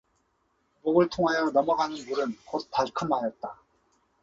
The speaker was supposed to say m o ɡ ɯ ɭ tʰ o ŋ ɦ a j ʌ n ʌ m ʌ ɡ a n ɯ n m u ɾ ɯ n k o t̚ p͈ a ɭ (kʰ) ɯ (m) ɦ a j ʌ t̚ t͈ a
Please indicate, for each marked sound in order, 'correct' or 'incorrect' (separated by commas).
correct, correct